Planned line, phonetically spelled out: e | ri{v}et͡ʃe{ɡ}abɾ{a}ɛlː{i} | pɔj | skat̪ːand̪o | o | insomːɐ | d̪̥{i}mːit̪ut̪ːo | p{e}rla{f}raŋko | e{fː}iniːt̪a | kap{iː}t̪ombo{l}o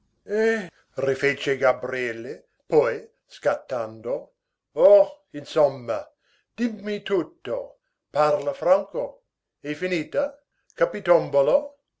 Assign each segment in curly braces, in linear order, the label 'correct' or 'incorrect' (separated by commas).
incorrect, correct, incorrect, incorrect, correct, incorrect, correct, incorrect, incorrect, correct